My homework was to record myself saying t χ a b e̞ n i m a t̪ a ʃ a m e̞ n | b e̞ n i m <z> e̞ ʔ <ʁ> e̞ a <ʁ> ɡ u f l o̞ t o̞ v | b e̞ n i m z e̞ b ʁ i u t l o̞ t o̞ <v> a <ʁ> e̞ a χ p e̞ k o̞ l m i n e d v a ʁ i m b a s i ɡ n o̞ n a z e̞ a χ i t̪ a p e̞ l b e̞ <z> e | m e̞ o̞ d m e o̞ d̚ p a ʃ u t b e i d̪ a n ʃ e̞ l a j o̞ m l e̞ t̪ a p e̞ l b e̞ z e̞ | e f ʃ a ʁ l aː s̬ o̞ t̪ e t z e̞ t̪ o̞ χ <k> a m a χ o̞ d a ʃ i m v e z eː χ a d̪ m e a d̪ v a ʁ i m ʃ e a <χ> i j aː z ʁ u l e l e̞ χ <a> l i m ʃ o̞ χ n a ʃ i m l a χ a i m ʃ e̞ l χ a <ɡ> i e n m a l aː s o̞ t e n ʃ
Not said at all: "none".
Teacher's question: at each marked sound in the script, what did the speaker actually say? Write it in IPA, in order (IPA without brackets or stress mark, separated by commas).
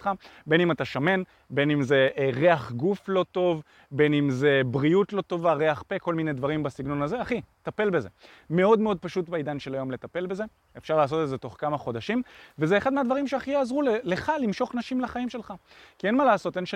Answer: z, ʁ, χ, v, ʁ, z, k, χ, a, k